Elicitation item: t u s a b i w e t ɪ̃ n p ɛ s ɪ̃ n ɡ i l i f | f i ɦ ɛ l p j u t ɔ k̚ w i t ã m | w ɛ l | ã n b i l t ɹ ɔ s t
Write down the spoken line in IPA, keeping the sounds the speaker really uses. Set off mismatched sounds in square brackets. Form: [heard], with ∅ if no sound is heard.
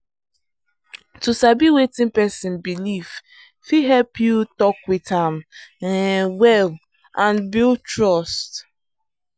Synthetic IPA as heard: t u s a b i w e t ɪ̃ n p ɛ s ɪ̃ n [b] i l i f | f i ɦ ɛ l p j u t ɔ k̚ w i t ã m | w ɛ l | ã n b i l t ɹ ɔ s t